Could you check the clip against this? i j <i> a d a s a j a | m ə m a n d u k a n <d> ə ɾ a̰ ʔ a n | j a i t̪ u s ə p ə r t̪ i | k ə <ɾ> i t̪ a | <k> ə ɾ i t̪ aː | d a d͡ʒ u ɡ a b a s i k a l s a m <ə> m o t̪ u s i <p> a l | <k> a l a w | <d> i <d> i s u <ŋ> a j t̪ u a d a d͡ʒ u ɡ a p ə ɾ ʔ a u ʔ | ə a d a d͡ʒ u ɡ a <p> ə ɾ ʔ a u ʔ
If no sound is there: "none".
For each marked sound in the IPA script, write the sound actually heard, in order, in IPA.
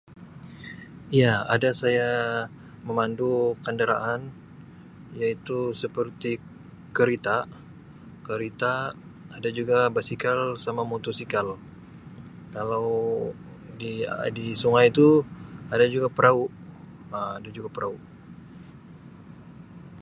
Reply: a, d, ɾ, k, a, k, k, d, d, ŋ, p

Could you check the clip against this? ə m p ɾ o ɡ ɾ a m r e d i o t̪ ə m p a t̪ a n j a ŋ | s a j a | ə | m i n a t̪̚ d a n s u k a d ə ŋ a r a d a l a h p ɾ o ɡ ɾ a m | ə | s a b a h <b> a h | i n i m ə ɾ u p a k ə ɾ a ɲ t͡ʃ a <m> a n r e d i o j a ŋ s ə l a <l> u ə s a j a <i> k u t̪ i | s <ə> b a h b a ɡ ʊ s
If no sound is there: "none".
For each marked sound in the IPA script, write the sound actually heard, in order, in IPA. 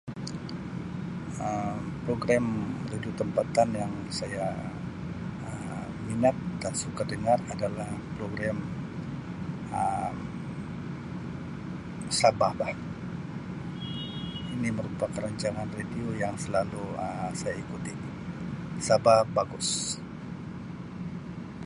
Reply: b, ŋ, l, i, a

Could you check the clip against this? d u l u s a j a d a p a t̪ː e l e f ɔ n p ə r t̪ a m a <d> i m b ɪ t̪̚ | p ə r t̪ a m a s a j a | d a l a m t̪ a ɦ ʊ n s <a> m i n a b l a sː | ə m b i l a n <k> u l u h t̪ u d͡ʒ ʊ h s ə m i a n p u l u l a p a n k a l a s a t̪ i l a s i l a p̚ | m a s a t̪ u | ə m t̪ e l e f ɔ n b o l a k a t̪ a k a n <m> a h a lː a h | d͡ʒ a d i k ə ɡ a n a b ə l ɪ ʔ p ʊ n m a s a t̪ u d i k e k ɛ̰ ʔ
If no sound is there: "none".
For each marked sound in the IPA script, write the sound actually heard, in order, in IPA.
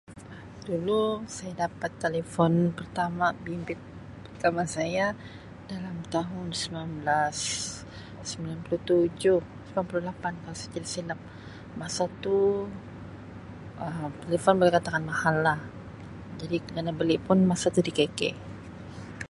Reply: b, ə, p, m

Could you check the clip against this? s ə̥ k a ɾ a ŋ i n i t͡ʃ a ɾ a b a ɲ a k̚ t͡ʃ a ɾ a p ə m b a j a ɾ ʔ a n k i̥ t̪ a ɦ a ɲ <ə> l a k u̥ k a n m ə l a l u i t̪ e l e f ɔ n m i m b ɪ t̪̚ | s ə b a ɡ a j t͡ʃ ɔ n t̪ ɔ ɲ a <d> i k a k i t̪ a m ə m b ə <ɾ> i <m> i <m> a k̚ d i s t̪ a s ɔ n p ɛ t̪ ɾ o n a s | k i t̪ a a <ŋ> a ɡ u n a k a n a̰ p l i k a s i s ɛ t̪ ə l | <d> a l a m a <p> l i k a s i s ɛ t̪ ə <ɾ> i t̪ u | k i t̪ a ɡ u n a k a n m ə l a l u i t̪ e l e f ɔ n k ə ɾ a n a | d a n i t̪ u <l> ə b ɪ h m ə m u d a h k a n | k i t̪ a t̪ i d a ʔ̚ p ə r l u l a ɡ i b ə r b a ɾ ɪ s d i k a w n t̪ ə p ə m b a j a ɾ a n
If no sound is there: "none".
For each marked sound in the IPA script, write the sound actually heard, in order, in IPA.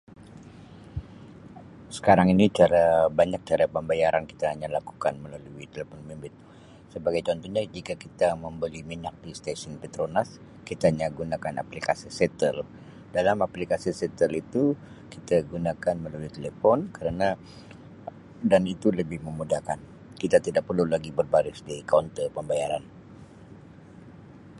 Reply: a, d͡ʒ, l, m, ɲ, ɲ, d, p, l, l

